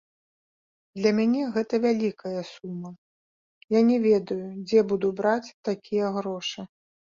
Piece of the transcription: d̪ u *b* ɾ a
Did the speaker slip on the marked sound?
no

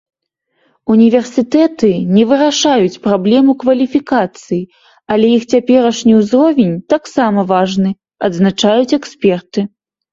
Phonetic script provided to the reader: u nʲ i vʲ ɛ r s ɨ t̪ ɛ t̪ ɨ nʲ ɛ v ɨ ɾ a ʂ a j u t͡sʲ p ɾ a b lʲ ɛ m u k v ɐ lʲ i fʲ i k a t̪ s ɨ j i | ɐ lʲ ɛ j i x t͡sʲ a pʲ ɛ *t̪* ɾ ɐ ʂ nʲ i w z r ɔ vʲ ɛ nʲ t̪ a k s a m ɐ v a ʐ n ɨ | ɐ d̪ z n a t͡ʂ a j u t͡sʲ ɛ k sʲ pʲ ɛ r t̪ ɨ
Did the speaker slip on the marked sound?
yes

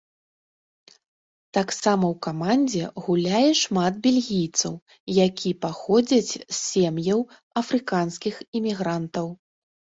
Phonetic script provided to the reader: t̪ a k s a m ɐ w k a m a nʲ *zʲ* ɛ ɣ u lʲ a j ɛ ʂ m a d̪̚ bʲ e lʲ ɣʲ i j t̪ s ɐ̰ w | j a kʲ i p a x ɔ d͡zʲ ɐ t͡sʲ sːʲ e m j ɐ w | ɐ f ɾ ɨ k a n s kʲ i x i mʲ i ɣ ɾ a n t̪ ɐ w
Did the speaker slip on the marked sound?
yes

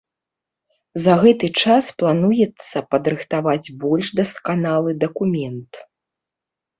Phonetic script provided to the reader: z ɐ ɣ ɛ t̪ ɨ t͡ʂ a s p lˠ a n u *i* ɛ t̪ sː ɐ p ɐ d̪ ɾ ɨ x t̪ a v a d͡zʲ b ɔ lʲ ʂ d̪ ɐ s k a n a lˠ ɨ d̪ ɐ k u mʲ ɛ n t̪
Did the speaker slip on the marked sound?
yes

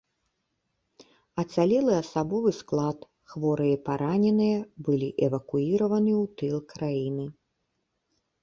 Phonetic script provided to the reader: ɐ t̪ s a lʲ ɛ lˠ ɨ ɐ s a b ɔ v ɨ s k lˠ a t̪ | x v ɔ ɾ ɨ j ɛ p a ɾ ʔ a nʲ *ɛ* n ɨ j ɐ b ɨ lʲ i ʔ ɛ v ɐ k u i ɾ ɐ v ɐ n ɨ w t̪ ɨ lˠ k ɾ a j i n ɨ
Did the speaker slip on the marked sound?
no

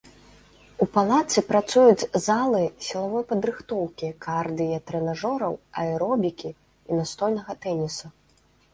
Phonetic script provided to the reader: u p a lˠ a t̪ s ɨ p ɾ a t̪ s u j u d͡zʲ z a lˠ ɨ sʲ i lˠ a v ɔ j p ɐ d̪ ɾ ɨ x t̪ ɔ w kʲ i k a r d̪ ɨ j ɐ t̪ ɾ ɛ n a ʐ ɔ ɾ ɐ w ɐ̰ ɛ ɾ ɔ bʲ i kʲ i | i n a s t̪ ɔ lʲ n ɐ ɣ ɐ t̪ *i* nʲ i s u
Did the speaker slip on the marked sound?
yes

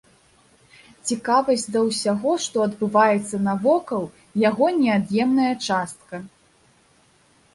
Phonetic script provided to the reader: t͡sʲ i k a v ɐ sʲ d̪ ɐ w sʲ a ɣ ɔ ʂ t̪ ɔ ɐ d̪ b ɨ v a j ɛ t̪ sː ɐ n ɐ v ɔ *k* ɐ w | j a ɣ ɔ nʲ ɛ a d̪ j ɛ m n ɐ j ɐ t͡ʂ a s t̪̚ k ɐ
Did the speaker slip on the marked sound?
no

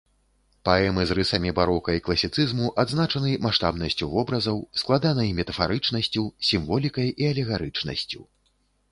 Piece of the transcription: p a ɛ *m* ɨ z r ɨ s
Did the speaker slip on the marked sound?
no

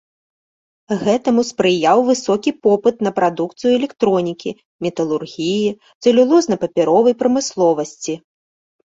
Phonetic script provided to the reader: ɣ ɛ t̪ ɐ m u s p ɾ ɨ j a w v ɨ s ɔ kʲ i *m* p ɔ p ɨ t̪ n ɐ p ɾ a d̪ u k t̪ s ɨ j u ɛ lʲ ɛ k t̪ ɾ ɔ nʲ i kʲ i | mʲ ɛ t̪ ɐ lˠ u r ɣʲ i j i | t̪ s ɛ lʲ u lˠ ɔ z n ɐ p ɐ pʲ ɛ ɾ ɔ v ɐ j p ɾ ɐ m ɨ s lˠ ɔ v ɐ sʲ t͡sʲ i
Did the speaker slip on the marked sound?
yes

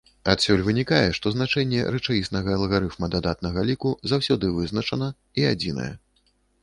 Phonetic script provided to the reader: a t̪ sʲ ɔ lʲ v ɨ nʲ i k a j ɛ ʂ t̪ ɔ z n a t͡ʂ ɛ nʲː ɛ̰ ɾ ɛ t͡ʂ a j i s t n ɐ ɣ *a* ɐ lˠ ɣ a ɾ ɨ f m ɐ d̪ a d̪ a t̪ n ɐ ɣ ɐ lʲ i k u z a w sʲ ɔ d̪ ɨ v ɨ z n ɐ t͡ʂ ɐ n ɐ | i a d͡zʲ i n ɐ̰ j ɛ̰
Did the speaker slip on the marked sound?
yes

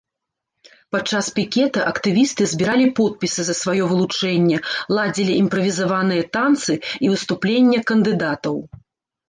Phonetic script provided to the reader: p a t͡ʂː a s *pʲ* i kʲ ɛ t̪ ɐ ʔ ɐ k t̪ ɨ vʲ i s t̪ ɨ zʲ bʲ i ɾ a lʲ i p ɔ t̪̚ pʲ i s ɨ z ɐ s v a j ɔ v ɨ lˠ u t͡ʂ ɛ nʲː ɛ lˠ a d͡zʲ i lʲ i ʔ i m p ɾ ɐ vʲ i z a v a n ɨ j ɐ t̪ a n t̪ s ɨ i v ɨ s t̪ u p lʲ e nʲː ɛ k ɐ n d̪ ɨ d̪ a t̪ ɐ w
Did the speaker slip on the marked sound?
no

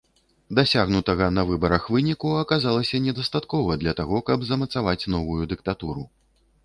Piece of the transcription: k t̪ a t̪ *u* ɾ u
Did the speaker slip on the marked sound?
no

